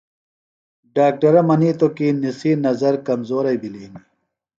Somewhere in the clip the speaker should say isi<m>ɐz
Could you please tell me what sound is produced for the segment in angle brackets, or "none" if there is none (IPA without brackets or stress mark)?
n